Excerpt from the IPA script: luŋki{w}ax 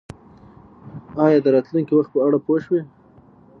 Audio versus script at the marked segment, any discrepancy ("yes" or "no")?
no